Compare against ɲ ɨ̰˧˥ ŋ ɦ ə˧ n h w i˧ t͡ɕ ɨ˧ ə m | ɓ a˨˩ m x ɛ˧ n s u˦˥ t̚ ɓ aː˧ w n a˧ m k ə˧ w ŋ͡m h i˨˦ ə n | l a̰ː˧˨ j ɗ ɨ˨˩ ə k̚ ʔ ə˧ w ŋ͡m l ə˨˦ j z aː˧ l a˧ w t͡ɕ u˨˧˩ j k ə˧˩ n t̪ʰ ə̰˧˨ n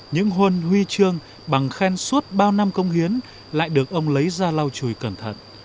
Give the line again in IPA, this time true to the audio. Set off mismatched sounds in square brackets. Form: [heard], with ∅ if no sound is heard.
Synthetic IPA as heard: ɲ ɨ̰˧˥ ŋ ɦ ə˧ n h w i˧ t͡ɕ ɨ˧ ə [ŋ] | ɓ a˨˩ [ŋ] x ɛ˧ n s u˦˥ t̚ ɓ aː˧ w n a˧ m k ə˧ w ŋ͡m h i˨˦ ə n | l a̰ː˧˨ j ɗ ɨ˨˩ ə k̚ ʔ ə˧ w ŋ͡m l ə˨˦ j z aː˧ l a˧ w t͡ɕ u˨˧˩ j k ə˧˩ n t̪ʰ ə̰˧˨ n

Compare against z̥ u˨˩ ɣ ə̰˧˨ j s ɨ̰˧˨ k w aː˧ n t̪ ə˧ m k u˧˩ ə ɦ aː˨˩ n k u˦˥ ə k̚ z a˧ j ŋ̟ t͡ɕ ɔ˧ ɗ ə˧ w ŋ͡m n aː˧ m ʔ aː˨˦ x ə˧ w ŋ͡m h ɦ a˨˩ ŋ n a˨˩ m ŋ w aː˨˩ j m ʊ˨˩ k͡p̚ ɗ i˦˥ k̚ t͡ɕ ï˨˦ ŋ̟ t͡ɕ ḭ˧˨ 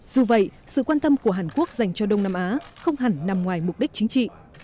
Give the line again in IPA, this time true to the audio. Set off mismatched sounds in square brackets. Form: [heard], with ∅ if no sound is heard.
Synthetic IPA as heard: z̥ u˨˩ [v] ə̰˧˨ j s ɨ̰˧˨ k w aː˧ n t̪ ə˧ m k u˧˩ ə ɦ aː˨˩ n k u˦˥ ə k̚ z [a˨˩] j ŋ̟ t͡ɕ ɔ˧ ɗ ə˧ w ŋ͡m n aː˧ m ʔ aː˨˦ x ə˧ w ŋ͡m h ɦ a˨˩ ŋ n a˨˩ m ŋ w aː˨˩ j m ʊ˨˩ k͡p̚ ɗ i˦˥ k̚ t͡ɕ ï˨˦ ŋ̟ t͡ɕ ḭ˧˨

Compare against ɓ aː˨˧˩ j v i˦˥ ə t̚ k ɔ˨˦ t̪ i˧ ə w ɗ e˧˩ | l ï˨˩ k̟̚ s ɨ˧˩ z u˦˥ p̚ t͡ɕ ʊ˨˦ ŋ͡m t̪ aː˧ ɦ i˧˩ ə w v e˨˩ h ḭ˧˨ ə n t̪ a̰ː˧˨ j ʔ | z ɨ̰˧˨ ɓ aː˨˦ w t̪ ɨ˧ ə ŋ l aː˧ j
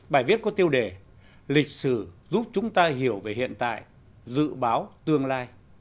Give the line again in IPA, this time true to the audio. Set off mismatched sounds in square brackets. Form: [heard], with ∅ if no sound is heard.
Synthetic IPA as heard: ɓ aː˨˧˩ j v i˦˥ ə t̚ k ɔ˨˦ t̪ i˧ ə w ɗ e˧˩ | l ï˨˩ k̟̚ s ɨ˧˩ z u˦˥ p̚ t͡ɕ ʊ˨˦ ŋ͡m t̪ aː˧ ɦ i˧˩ ə w v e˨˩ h ḭ˧˨ ə n t̪ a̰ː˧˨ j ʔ | z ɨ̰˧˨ ɓ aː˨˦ w t̪ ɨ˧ ə ŋ l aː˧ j

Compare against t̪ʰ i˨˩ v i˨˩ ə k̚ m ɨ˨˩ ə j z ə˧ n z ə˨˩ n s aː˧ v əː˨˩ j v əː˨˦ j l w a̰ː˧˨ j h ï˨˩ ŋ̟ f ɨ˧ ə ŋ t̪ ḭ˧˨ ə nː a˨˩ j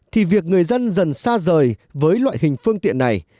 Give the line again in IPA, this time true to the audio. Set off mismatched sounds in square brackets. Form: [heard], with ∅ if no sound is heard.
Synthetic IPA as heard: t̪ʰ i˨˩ v i˨˩ ə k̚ [ŋ] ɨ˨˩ ə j z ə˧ n z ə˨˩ n s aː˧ [z] əː˨˩ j v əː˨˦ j l w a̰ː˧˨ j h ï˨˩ ŋ̟ f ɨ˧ ə ŋ t̪ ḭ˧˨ ə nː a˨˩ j

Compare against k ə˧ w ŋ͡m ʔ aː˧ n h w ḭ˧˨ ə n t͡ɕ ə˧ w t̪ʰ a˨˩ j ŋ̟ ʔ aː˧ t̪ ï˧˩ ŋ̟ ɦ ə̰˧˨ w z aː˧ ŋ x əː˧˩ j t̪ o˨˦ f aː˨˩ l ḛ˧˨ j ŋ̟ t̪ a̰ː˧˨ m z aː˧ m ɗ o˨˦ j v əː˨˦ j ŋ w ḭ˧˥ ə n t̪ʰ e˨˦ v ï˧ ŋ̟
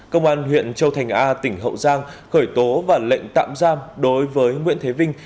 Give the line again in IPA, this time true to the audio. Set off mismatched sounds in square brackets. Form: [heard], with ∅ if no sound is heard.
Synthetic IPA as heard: k ə˧ w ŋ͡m ʔ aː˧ n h w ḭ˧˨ ə n t͡ɕ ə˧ w t̪ʰ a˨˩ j ŋ̟ ʔ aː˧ t̪ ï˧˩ ŋ̟ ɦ ə̰˧˨ w z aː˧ ŋ x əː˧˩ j t̪ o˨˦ [v] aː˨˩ l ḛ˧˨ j ŋ̟ t̪ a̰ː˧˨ m z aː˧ m ɗ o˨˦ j v əː˨˦ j ŋ w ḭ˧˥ ə n t̪ʰ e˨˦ v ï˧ ŋ̟

